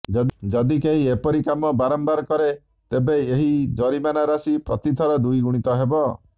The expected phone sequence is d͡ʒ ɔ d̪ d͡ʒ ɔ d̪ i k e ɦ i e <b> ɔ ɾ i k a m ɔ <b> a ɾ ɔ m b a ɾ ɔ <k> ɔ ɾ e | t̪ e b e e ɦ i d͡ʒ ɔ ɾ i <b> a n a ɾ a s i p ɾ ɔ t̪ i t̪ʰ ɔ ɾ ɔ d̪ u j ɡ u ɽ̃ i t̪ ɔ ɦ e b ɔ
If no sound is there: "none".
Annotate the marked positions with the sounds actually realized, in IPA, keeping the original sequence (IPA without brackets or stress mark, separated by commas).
p, b, k, m